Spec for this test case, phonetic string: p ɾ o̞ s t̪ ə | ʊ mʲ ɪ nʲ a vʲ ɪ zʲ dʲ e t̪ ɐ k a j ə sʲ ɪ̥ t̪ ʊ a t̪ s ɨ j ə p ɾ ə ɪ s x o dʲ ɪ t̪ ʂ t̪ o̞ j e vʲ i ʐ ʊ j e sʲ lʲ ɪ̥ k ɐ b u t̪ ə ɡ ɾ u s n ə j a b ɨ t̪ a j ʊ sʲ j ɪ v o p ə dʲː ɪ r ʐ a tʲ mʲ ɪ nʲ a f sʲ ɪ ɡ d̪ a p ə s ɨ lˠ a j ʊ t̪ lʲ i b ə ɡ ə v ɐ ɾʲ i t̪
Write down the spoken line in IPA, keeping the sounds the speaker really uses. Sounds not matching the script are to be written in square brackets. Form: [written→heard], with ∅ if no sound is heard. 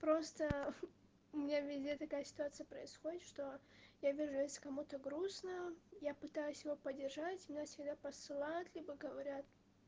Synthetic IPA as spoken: p ɾ o̞ s t̪ ə | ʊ mʲ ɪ nʲ a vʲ ɪ zʲ dʲ e t̪ ɐ k a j ə sʲ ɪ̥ t̪ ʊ a t̪ s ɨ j ə p ɾ ə ɪ s x o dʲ ɪ t̪ ʂ t̪ o̞ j [e→a] vʲ i ʐ ʊ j e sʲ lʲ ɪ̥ k ɐ [b→m] u t̪ ə ɡ ɾ u s n ə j a [b→p] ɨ t̪ a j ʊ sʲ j ɪ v o p ə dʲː ɪ r ʐ a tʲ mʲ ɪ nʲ a f sʲ ɪ ɡ d̪ a p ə s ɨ lˠ a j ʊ t̪ lʲ i b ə ɡ ə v ɐ ɾʲ [i→a] t̪